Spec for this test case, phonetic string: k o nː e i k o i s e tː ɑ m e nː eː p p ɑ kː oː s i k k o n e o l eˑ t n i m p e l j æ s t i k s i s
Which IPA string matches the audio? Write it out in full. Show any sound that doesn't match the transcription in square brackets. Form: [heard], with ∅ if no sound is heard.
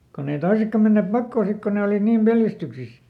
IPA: k o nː e i [t] o i s e [kː] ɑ m e nː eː p p ɑ kː oː s i k k o n e o l [iˑ] t n [iː] m p e l j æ s t [y] k s i s